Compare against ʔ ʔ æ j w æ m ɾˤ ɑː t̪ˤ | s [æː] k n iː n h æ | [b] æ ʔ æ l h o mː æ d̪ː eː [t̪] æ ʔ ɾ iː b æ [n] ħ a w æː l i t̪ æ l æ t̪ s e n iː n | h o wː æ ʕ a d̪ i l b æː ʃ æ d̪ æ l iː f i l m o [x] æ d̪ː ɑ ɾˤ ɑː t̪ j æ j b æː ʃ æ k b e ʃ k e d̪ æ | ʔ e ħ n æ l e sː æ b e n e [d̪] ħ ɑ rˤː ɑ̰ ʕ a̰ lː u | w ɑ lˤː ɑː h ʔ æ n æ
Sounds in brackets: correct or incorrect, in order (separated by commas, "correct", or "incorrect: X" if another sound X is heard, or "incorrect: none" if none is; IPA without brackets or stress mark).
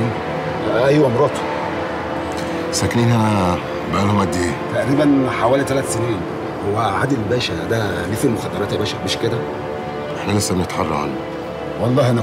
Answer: incorrect: æ, correct, correct, correct, correct, incorrect: t̪